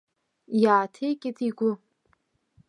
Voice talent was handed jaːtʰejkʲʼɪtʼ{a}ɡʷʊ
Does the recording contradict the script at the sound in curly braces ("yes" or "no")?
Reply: yes